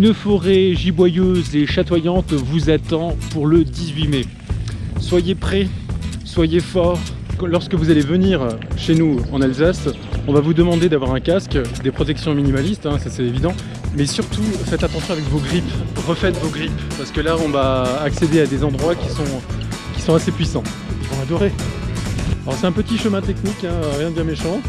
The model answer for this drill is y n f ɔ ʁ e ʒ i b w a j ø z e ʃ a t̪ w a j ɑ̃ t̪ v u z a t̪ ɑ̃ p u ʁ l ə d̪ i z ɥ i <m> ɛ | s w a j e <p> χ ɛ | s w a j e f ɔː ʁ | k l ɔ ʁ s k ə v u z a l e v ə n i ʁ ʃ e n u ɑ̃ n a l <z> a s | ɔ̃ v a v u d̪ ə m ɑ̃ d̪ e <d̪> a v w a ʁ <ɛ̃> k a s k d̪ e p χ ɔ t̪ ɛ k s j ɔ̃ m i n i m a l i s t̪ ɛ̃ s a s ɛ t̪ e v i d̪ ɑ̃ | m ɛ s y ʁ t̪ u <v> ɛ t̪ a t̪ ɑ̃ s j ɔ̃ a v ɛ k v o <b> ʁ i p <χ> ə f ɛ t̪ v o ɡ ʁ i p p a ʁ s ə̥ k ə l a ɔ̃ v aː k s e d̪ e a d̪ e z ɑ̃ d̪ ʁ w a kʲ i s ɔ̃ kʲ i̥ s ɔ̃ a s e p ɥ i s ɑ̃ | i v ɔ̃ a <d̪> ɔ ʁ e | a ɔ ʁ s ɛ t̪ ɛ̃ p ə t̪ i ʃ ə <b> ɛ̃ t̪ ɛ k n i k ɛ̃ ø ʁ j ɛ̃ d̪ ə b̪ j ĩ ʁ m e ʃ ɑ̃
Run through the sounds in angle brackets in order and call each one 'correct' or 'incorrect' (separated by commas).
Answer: correct, correct, correct, correct, correct, incorrect, incorrect, incorrect, correct, incorrect